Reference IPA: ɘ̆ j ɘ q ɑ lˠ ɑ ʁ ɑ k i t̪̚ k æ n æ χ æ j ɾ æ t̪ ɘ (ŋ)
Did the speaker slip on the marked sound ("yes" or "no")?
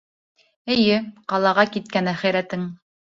no